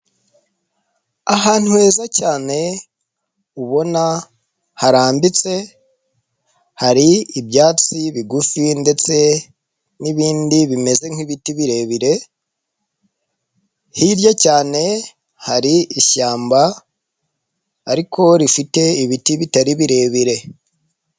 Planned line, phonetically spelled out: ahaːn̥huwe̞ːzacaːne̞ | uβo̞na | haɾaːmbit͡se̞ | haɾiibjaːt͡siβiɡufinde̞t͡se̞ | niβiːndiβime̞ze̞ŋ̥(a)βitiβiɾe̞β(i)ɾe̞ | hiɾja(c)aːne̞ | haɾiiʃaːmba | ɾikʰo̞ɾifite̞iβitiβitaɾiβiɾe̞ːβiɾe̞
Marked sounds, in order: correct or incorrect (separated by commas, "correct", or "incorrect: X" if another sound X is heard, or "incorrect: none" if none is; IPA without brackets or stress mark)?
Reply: incorrect: i, correct, correct